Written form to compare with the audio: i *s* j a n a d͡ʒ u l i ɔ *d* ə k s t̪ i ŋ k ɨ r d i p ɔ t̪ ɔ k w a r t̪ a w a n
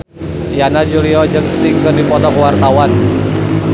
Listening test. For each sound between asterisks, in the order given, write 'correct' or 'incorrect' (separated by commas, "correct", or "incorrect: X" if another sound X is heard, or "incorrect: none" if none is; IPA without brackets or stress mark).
incorrect: none, incorrect: d͡ʒ